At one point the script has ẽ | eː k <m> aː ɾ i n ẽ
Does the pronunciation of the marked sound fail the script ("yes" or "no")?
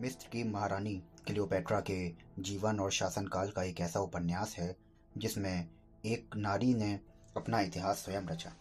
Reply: yes